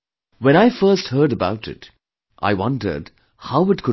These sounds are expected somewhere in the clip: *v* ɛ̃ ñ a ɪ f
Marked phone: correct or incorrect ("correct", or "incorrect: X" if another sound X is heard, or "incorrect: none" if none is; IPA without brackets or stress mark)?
incorrect: w